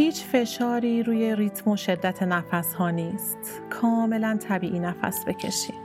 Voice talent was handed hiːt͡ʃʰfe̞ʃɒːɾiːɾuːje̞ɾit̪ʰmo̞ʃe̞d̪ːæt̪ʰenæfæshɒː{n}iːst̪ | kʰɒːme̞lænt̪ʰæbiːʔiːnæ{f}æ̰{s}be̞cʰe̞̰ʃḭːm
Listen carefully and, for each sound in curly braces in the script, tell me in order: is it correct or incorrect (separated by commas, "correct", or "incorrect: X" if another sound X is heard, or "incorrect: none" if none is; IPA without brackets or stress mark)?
correct, correct, correct